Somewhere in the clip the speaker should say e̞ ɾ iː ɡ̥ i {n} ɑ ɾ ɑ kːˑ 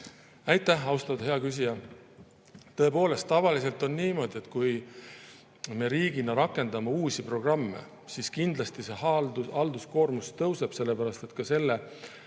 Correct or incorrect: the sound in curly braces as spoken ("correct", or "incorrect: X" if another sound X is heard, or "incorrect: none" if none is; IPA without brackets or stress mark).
correct